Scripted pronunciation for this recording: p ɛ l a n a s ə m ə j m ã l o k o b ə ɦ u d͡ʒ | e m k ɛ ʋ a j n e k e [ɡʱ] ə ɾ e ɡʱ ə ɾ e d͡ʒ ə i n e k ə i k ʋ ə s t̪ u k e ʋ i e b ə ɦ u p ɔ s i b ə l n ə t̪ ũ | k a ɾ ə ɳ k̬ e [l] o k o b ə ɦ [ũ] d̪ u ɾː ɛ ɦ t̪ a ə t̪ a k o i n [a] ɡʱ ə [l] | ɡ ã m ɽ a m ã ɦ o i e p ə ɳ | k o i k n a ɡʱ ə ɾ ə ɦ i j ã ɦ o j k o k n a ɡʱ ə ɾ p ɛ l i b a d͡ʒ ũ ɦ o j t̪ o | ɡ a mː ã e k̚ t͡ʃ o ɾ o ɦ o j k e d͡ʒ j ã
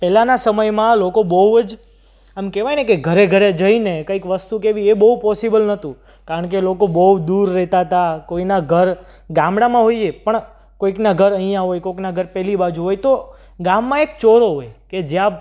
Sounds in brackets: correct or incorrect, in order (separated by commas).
correct, correct, incorrect, correct, incorrect